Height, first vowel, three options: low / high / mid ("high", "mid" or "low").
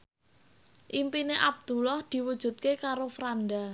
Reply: high